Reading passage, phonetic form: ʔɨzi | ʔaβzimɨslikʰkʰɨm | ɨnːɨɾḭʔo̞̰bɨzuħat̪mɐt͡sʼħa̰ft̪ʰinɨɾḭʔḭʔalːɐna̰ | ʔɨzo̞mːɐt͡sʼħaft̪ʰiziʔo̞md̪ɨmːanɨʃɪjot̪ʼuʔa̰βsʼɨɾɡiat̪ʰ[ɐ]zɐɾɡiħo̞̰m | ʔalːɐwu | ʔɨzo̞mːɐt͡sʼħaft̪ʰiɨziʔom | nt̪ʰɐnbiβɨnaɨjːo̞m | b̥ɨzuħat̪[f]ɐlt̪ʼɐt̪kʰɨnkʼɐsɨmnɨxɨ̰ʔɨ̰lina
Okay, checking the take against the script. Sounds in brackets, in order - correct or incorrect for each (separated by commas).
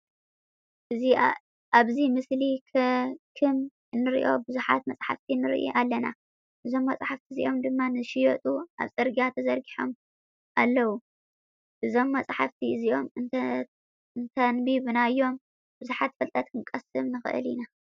correct, correct